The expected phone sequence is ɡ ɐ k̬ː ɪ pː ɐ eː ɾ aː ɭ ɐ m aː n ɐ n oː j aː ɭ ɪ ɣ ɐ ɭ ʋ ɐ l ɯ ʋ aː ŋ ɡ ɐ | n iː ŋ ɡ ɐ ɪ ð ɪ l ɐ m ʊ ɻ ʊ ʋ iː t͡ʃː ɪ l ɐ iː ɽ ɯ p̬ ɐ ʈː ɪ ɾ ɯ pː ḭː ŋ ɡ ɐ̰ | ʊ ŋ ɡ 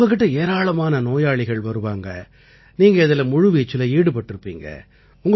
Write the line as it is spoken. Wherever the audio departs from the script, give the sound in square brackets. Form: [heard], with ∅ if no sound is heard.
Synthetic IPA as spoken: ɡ ɐ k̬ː ɪ [ʈː] ɐ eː ɾ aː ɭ ɐ m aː n ɐ n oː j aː ɭ ɪ ɣ ɐ ɭ ʋ ɐ [ɾ] ɯ ʋ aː ŋ ɡ ɐ | n iː ŋ ɡ ɐ ɪ ð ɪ l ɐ m ʊ ɻ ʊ ʋ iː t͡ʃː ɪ l ɐ iː ɽ ɯ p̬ ɐ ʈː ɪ ɾ ɯ pː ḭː ŋ ɡ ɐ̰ | ʊ ŋ ɡ

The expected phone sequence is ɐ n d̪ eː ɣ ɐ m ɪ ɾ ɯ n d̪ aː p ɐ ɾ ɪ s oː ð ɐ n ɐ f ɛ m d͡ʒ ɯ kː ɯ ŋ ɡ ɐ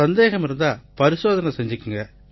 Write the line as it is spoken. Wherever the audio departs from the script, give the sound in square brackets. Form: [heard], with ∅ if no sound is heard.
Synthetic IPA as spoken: ɐ n d̪ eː ɣ ɐ m ɪ ɾ ɯ n d̪ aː p ɐ ɾ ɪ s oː ð ɐ n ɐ [s] ɛ [ɲ] d͡ʒ ɯ kː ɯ ŋ ɡ ɐ

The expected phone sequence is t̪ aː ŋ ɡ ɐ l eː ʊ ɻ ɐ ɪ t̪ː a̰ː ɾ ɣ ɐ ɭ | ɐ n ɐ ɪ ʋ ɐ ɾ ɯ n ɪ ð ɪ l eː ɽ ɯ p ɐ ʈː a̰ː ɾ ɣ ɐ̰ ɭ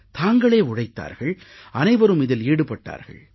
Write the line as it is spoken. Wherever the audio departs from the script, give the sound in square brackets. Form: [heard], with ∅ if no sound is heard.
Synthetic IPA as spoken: t̪ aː ŋ ɡ ɐ [ɭ] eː ʊ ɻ ɐ ɪ t̪ː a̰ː ɾ ɣ ɐ ɭ | ɐ n ɐ ɪ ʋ ɐ ɾ ɯ [m] ɪ ð ɪ l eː ɽ ɯ p ɐ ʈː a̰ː ɾ ɣ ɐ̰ ɭ

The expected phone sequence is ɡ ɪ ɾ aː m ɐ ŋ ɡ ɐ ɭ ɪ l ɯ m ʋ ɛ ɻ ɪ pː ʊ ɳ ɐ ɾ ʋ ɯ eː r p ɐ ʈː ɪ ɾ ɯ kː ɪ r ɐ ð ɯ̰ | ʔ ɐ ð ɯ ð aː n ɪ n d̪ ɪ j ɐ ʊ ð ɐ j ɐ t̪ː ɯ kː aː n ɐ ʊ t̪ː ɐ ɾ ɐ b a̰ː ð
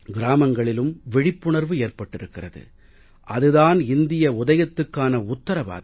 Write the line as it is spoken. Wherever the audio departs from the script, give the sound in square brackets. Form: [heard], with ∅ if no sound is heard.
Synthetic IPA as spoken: ɡ ɪ ɾ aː m ɐ ŋ ɡ ɐ ɭ ɪ l ɯ m ʋ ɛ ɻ ɪ pː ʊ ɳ ɐ ɾ ʋ ɯ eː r p ɐ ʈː ɪ ɾ ɯ kː ɪ r ɐ ð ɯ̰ | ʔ ɐ ð ɯ ð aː n ɪ n d̪ ɪ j ɐ ʊ ð ɐ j ɐ t̪ː ɯ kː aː n ɐ ʊ t̪ː ɐ ɾ ɐ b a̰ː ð

